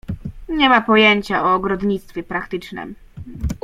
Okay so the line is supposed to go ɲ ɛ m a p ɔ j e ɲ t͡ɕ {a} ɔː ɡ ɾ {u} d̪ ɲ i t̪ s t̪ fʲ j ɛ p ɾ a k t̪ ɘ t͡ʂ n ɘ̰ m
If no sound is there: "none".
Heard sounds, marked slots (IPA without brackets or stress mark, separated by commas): a, ɔ